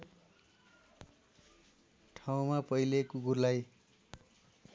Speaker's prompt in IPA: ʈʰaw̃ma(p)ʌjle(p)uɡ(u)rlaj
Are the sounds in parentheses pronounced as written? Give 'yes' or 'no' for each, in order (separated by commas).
yes, no, yes